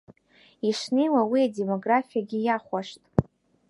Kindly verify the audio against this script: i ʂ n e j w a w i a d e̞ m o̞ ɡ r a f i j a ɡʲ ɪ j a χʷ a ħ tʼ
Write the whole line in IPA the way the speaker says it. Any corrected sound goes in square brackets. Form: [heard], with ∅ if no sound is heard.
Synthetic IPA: i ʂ n e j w a w i a d e̞ m o̞ ɡ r a f i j a ɡʲ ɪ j a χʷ a [ʂ] tʼ

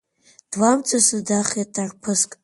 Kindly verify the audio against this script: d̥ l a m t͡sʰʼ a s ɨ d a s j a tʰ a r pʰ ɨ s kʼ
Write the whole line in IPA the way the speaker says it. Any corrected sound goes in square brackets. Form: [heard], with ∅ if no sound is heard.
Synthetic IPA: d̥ l a m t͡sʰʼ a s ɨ d a [χ] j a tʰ a r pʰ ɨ s kʼ

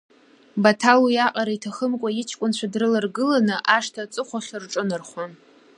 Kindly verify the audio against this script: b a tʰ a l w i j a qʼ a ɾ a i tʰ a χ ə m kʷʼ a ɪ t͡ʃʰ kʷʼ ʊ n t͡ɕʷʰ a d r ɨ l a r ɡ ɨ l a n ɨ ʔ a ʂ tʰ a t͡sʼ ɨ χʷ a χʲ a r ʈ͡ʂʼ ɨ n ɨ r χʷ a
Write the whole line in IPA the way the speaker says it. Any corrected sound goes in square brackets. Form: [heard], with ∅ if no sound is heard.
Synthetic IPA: b a tʰ a l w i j a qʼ a ɾ a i tʰ a χ ə m kʷʼ a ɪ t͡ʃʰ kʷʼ ʊ n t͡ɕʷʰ a d r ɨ l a r ɡ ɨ l a n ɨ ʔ a ʂ tʰ a t͡sʼ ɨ χʷ a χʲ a r ʈ͡ʂʼ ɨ n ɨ r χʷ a

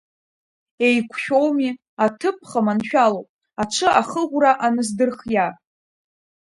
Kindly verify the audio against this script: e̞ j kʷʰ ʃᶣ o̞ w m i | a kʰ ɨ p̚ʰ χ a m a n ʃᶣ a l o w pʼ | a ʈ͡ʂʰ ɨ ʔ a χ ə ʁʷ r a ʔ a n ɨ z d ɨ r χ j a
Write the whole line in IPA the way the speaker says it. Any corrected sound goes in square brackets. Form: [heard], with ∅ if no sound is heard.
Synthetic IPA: e̞ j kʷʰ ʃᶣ o̞ w m i | a [tʰ] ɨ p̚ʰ χ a m a n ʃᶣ a l o w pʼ | a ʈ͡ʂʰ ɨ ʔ a χ ə ʁʷ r a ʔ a n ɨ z d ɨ r χ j a

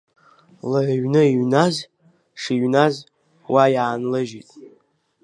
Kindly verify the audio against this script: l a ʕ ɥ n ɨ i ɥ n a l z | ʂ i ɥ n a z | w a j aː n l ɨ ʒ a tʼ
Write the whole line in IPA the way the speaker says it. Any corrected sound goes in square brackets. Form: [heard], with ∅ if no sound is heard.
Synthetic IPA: l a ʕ ɥ n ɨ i ɥ n a [∅] z | ʂ i ɥ n a z | w a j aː n l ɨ ʒ [i] tʼ

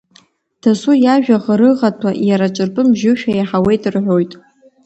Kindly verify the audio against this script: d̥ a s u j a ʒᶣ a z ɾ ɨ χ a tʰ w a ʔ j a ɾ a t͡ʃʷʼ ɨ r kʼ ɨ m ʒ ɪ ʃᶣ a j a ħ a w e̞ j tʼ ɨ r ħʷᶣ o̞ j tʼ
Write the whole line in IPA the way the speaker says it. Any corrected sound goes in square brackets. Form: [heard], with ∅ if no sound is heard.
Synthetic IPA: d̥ a s u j a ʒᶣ a [ʁ] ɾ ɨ [ʁ] a tʰ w a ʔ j a ɾ a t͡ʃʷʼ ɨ r [pʼ] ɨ m ʒ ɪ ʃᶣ a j a ħ a w e̞ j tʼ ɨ r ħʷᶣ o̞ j tʼ

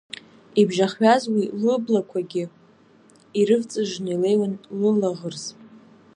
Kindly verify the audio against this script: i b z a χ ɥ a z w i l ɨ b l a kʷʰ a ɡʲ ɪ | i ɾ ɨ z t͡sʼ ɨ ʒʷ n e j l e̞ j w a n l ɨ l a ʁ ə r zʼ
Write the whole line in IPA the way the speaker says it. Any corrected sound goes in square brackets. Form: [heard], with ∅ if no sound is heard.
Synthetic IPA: i b [ʒ] a χ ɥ a z w i l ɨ b l a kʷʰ a ɡʲ ɪ | i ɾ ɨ [v] t͡sʼ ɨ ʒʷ n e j l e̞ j w a n l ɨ l a ʁ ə r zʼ

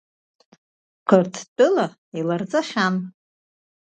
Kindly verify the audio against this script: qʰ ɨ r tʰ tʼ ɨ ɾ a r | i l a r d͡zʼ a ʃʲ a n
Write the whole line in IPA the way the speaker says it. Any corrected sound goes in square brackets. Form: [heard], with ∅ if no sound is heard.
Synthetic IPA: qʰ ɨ r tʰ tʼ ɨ [l] a [∅] | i l a r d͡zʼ a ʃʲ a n

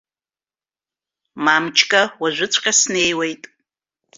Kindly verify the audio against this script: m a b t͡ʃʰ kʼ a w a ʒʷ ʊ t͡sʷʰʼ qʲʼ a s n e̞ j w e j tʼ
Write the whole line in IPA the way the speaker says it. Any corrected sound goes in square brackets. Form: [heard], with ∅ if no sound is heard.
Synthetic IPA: m a [m] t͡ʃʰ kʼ a w a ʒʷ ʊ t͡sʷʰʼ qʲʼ a s n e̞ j w e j tʼ

